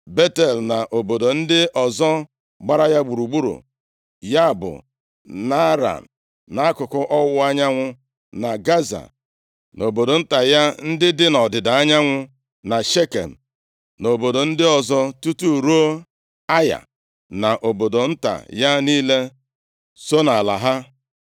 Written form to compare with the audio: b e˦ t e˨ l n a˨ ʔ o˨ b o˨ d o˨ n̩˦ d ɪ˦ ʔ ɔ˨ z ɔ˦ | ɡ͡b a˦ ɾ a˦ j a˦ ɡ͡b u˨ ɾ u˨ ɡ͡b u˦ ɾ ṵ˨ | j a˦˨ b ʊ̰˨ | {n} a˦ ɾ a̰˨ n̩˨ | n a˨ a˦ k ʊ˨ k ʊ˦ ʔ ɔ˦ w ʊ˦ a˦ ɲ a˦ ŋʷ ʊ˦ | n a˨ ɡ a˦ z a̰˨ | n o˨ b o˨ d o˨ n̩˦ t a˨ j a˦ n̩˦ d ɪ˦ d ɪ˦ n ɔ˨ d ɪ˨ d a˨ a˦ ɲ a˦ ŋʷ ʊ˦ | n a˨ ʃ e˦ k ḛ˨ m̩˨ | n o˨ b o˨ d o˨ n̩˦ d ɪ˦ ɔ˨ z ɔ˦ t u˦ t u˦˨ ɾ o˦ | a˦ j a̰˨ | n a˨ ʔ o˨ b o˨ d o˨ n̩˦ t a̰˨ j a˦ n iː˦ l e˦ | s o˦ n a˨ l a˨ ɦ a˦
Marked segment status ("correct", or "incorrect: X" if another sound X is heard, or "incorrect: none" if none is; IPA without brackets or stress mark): correct